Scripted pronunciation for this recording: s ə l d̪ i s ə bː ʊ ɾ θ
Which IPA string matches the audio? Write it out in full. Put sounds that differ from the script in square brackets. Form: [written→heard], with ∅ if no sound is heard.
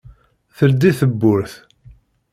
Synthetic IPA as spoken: [s→θ] ə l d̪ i [s→θ] ə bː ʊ ɾ θ